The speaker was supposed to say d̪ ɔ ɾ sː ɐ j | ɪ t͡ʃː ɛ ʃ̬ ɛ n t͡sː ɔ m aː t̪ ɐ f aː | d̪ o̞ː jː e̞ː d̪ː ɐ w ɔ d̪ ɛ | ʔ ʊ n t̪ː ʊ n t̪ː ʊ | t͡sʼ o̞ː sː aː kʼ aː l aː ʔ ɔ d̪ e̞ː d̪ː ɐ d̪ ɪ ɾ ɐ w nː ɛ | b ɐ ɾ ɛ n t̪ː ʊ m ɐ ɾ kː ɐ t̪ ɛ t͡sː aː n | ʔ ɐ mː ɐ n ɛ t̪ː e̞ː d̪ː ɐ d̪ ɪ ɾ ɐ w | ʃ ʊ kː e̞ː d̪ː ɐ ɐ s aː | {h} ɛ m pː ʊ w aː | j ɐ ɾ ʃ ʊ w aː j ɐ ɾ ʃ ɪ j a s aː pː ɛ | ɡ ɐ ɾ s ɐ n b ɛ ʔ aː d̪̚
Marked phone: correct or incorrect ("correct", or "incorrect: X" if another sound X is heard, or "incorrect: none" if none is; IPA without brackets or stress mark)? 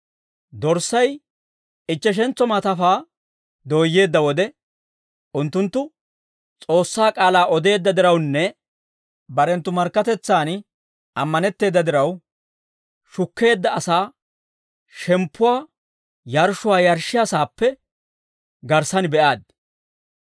incorrect: ʃ